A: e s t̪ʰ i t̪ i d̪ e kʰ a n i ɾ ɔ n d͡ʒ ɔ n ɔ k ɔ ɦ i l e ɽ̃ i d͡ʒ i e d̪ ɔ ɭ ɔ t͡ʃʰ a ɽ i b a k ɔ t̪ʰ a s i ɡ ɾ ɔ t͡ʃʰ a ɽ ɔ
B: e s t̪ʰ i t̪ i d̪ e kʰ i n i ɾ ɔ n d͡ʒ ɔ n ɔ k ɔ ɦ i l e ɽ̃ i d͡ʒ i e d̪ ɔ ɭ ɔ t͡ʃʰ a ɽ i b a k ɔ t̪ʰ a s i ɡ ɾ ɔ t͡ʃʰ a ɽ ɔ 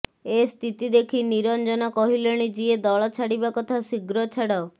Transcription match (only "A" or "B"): B